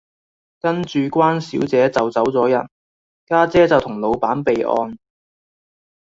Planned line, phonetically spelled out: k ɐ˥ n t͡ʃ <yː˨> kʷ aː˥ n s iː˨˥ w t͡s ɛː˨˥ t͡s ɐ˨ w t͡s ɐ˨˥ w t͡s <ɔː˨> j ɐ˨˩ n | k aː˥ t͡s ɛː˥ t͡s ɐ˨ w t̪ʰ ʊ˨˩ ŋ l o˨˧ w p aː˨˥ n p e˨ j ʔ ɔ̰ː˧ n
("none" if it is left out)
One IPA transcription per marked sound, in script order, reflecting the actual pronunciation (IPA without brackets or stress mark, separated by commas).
yː˨, ɔː˨˥